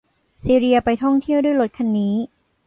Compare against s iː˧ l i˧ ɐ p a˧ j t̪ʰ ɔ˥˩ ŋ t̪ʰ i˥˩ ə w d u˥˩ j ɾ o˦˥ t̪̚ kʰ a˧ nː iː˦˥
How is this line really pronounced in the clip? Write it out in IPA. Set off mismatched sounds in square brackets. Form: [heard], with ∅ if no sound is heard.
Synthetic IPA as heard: s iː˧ [ɾ] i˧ ɐ p a˧ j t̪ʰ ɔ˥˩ ŋ t̪ʰ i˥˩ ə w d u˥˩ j [l] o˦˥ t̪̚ kʰ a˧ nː iː˦˥

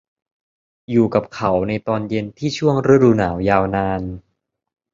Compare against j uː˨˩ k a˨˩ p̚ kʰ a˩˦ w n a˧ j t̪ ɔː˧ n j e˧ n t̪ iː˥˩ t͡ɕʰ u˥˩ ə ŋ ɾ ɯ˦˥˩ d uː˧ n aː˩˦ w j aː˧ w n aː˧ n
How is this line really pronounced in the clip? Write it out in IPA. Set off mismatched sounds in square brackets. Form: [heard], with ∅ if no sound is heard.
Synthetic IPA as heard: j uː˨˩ k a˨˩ p̚ kʰ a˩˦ w n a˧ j t̪ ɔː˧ n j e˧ n [t̪ʰ] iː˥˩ t͡ɕʰ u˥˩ ə ŋ ɾ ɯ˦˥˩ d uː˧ n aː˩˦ w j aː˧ w n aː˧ n

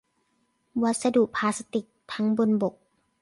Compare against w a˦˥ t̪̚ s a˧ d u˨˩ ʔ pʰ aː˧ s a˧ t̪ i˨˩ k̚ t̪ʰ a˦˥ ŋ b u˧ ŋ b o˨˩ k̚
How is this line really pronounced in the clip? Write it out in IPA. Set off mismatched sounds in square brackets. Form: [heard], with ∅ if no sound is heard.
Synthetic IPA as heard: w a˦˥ t̪̚ s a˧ d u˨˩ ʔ pʰ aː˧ s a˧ t̪ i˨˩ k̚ t̪ʰ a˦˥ ŋ b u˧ [n] b o˨˩ k̚

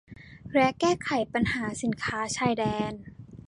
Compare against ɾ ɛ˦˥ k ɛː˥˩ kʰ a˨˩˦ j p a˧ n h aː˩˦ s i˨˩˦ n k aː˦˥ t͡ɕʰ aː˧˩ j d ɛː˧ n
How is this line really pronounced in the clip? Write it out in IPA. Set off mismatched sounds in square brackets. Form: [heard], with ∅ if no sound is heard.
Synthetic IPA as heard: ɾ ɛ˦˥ k ɛː˥˩ kʰ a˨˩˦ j p a˧ n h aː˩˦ s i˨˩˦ n [kʰ] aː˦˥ t͡ɕʰ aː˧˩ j d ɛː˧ n

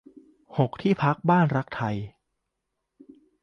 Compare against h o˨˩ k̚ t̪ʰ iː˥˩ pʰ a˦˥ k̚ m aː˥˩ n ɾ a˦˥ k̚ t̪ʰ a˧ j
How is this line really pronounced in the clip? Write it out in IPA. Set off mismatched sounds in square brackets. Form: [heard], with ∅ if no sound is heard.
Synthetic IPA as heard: h o˨˩ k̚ t̪ʰ iː˥˩ pʰ a˦˥ k̚ [b] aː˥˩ n ɾ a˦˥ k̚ t̪ʰ a˧ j

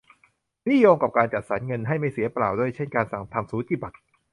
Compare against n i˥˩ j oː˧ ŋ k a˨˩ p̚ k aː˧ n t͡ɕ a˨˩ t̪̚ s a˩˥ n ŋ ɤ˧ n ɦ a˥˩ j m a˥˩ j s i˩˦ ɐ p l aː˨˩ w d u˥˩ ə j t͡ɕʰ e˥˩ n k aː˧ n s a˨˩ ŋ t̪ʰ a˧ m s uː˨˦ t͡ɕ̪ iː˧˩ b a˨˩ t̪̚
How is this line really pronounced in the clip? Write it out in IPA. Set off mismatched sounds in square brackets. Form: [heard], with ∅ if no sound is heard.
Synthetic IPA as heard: n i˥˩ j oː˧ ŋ k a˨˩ p̚ k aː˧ n t͡ɕ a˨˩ t̪̚ s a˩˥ n ŋ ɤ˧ n ɦ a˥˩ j m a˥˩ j s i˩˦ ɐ p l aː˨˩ w d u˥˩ ə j t͡ɕʰ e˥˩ n k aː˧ n s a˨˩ ŋ t̪ʰ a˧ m s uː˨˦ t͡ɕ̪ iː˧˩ b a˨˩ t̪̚

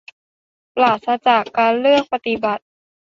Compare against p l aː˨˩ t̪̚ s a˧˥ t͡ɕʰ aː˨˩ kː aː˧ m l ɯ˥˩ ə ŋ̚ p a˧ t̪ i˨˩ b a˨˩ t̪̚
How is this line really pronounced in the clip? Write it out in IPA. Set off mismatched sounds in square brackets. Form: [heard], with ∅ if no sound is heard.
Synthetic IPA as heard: p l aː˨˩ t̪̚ s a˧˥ [t͡ɕ] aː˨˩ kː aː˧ [n] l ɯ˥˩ ə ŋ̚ p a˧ t̪ i˨˩ b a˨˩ t̪̚

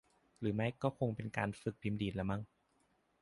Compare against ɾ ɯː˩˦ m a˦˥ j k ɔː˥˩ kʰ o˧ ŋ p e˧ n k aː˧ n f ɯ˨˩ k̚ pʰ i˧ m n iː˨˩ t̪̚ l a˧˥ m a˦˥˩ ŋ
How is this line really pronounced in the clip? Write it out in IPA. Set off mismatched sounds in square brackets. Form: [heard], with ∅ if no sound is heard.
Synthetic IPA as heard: ɾ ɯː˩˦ m a˦˥ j k ɔː˥˩ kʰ o˧ ŋ p e˧ n k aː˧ n f ɯ˨˩ k̚ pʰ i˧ m [d] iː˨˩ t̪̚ l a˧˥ m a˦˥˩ ŋ

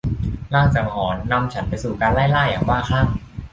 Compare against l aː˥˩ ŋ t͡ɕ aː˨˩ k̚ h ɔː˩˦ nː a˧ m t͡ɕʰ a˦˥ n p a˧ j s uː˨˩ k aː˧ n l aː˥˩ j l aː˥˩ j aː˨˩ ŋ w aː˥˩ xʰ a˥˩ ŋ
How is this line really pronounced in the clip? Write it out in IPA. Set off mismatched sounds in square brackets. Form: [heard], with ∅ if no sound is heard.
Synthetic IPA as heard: l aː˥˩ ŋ t͡ɕ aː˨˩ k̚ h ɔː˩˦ nː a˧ m t͡ɕʰ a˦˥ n p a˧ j s uː˨˩ k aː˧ n l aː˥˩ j l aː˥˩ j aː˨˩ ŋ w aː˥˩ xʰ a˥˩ ŋ

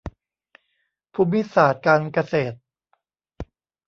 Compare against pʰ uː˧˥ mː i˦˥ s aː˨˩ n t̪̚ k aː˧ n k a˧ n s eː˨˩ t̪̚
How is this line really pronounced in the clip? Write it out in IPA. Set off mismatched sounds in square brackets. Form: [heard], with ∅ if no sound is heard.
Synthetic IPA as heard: pʰ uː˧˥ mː i˦˥ s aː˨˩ [∅] t̪̚ k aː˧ n k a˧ [∅] s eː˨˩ t̪̚

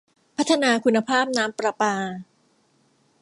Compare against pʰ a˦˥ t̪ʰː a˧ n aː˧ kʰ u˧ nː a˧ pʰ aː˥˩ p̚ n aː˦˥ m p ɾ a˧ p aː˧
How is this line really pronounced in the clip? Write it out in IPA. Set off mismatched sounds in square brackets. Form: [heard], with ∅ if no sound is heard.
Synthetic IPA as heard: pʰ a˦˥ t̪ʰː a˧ n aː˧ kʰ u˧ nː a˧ pʰ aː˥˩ p̚ n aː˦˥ m p ɾ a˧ p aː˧

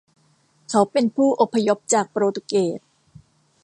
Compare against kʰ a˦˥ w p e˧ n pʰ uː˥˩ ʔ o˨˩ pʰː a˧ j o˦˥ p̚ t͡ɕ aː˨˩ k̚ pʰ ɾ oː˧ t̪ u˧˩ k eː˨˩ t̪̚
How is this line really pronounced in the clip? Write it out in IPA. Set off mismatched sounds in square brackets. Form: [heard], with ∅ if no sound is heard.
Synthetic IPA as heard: kʰ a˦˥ w p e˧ n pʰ uː˥˩ ʔ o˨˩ pʰː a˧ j o˦˥ p̚ t͡ɕ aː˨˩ k̚ [p] ɾ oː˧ t̪ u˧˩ k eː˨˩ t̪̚

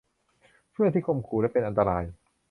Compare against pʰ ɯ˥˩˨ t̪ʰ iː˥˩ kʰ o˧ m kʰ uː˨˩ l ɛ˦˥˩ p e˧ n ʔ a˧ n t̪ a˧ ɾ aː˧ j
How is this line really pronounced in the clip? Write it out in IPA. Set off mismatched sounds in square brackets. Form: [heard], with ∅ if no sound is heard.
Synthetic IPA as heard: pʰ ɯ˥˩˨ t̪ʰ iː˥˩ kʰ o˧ m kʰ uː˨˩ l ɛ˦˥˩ p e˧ n ʔ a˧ n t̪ a˧ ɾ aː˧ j

